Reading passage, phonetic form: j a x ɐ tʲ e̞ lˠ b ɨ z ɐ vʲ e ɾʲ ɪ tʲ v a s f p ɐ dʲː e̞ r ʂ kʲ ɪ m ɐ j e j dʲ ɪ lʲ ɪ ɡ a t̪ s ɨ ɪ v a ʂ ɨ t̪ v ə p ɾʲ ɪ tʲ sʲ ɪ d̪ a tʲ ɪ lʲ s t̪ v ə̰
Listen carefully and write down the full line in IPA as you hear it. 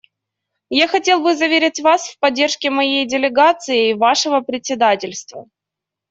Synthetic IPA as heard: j a x ɐ tʲ e̞ lˠ b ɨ z ɐ vʲ e ɾʲ ɪ tʲ v a s f p ɐ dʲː e̞ r ʂ kʲ ɪ m ɐ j e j dʲ ɪ lʲ ɪ ɡ a t̪ s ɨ ɪ v a ʂ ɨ v ə p ɾʲ ɪ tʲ sʲ ɪ d̪ a tʲ ɪ lʲ s t̪ v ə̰